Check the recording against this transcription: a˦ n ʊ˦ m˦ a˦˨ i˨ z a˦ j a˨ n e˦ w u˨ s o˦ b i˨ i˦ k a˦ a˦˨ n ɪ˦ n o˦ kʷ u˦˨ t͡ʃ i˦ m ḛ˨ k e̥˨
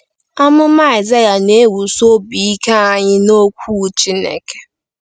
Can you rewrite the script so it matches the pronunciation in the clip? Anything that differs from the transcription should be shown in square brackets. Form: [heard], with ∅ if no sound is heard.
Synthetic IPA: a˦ [m] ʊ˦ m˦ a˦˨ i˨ z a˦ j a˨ n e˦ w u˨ s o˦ b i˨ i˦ k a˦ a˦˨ [ɲ] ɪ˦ n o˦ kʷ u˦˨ t͡ʃ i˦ [n] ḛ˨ k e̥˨